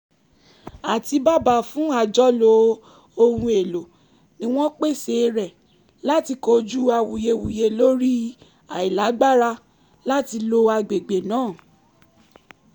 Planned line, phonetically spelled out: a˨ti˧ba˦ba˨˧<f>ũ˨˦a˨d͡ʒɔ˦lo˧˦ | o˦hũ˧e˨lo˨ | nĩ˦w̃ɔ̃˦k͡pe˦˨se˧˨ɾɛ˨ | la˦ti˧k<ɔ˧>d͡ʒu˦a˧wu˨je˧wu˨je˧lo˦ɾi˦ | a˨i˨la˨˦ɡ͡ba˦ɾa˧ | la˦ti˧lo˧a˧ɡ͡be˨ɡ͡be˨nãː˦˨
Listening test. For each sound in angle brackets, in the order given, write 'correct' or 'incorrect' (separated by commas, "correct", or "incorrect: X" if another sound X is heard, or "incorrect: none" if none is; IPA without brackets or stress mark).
correct, incorrect: o˧